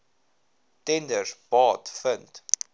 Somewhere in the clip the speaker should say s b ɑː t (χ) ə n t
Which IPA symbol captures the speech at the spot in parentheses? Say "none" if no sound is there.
f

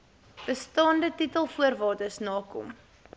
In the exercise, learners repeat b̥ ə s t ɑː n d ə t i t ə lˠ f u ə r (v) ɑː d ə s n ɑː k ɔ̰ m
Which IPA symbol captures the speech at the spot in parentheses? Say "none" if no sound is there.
v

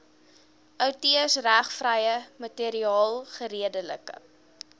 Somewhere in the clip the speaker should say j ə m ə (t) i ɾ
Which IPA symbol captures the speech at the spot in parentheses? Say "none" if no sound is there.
t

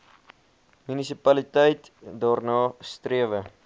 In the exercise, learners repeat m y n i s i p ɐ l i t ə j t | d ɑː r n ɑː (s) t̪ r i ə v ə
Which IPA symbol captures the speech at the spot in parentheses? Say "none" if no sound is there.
s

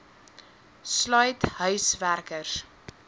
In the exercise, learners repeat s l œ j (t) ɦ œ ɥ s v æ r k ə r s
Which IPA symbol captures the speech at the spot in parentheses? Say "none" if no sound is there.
t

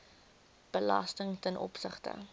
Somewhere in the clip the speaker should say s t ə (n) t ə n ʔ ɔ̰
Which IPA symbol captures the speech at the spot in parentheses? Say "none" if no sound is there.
ŋ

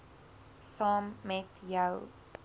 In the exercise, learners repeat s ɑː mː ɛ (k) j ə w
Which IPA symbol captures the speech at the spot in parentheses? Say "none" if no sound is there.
t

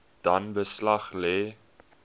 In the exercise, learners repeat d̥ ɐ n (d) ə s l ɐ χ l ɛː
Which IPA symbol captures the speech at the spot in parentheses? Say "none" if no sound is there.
b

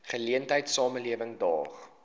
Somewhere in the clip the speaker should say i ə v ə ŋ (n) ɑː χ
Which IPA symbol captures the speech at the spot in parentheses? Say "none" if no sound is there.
d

